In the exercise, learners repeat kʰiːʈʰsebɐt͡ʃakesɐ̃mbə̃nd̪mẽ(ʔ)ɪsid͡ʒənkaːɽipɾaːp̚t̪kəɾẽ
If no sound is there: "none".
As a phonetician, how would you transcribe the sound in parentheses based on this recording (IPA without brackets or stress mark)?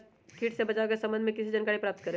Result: k